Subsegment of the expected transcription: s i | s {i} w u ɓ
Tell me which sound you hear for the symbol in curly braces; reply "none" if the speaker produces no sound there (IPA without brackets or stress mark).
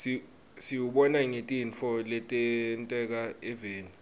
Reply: i